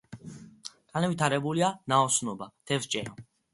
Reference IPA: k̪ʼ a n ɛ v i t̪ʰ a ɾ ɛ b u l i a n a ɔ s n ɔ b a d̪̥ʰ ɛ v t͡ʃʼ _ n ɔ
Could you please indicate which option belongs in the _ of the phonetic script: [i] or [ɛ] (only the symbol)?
ɛ